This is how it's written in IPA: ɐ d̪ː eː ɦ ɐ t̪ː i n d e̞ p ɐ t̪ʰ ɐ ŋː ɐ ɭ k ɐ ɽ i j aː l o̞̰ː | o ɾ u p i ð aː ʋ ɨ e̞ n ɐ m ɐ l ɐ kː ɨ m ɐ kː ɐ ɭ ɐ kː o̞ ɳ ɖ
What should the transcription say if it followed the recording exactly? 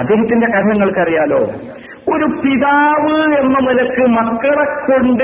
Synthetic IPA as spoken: ɐ d̪ː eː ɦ ɐ t̪ː i n d e̞ k ɐ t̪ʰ ɐ ŋː ɐ ɭ k ɐ r i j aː l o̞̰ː | o ɾ u p i ð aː ʋ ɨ e̞ nː ɐ m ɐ l ɐ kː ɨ m ɐ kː ɐ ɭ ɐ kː o̞ ɳ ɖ